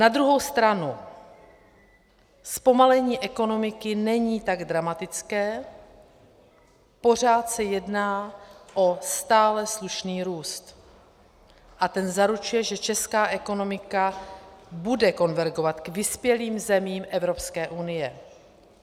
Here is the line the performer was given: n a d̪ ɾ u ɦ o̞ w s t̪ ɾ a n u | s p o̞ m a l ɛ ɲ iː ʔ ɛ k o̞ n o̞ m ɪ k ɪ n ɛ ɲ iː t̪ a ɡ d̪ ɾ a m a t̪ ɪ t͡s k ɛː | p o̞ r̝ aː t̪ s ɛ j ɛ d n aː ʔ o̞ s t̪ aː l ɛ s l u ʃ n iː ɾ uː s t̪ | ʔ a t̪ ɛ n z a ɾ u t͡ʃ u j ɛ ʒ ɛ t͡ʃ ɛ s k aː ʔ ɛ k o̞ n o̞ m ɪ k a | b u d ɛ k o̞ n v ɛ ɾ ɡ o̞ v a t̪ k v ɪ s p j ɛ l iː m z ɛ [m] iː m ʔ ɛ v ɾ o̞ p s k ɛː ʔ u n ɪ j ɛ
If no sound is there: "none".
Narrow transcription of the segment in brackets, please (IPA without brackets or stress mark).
m